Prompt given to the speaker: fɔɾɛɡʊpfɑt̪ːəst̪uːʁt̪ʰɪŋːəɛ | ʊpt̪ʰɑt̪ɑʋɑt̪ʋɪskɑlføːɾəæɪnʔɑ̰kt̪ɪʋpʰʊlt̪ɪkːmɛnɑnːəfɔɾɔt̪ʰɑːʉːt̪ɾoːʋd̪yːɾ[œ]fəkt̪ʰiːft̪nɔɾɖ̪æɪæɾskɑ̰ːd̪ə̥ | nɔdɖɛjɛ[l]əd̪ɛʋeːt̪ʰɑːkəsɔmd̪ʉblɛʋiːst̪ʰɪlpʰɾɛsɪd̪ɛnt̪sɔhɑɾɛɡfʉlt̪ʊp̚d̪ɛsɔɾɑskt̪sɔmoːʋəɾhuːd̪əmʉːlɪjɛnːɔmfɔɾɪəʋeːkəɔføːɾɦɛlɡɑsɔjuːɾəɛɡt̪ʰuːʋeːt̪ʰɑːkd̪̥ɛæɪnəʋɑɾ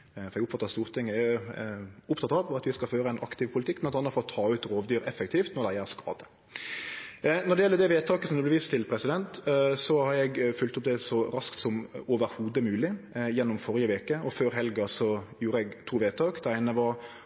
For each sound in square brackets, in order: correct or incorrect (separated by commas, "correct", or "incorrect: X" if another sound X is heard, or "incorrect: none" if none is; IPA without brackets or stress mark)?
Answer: incorrect: ɛ, incorrect: lː